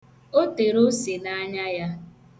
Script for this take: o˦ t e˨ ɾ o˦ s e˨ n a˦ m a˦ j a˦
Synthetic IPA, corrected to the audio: o˦ t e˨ ɾ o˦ s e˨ n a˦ ɲ a˦ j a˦